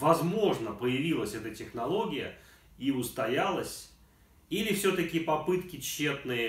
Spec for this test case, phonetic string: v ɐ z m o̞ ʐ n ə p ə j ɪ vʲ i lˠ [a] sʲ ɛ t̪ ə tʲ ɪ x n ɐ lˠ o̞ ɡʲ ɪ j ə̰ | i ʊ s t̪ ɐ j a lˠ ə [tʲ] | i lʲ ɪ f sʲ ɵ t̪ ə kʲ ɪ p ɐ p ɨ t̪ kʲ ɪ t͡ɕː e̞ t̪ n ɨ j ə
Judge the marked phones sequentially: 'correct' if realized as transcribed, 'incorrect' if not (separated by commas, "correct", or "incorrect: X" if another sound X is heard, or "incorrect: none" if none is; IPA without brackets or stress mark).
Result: incorrect: ə, incorrect: sʲ